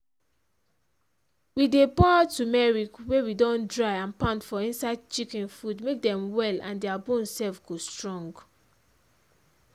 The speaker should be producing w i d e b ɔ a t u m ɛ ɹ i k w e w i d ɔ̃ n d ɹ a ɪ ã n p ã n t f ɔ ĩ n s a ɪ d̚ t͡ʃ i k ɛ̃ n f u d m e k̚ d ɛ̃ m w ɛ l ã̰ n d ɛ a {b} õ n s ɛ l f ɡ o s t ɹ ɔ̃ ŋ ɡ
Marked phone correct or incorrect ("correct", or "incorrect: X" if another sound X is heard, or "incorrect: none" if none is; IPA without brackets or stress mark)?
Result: correct